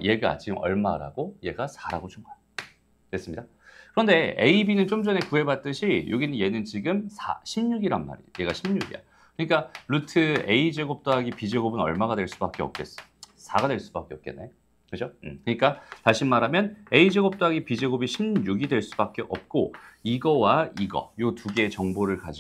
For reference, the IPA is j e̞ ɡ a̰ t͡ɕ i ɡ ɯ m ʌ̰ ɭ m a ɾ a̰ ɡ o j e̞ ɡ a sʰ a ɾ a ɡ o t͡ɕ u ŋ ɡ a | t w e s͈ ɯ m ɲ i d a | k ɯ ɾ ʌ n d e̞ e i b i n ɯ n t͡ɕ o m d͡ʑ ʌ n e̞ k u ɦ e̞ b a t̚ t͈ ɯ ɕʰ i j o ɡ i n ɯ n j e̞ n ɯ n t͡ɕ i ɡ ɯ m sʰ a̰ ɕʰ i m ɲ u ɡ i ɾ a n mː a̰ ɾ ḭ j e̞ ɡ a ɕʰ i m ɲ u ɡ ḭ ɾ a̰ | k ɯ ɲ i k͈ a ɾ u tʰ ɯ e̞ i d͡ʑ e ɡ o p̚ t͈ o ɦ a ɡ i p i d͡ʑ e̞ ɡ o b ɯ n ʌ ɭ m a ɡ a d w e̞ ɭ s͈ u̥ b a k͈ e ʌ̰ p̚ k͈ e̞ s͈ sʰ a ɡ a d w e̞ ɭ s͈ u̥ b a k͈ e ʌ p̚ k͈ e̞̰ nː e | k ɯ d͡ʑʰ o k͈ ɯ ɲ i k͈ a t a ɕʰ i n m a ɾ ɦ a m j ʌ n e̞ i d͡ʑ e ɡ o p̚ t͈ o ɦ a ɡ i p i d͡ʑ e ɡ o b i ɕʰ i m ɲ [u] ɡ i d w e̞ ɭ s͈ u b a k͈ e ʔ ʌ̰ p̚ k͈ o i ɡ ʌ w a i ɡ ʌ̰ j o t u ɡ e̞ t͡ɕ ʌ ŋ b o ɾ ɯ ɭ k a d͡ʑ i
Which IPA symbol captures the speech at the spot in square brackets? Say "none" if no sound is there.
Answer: u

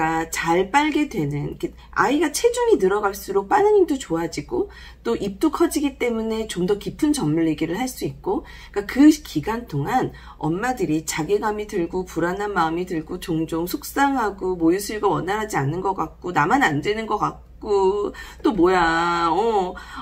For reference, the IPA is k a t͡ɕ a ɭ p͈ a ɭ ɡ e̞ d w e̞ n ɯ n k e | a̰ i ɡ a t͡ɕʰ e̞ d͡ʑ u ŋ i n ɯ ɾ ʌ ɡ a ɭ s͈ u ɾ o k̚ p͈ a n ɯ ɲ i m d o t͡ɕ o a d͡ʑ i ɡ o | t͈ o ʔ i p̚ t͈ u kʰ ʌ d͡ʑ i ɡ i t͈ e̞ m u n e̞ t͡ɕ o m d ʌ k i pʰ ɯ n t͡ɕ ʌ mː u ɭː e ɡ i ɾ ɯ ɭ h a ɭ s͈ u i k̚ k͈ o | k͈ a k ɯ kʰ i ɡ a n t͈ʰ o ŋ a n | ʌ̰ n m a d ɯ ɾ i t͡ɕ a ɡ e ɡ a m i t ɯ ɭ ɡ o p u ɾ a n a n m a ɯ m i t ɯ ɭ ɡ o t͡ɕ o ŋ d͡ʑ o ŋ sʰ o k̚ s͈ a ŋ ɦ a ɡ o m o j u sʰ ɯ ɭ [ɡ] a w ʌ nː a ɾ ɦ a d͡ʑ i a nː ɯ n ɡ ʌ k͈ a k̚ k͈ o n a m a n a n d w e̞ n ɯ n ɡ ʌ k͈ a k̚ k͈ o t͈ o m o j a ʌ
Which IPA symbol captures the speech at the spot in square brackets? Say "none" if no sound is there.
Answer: ɡ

